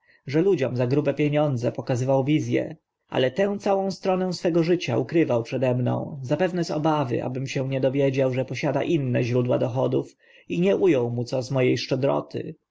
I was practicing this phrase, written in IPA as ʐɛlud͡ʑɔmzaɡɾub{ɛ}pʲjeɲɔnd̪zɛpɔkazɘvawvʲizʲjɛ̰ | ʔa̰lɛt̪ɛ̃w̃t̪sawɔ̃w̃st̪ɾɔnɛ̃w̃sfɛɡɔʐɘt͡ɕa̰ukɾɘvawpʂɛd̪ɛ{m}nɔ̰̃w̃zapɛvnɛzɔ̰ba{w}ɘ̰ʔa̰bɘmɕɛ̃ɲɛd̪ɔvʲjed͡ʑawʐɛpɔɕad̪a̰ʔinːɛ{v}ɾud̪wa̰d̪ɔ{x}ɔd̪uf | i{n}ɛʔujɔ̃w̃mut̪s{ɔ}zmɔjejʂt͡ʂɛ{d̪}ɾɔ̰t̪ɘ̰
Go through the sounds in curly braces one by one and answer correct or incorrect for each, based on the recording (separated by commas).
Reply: correct, correct, incorrect, incorrect, correct, incorrect, correct, correct